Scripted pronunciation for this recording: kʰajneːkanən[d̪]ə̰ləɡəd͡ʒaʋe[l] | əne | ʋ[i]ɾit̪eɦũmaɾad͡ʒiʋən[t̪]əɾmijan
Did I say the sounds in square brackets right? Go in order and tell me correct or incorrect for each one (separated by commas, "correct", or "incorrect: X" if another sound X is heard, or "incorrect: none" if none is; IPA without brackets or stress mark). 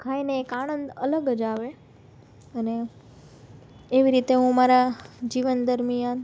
correct, incorrect: none, correct, incorrect: d̪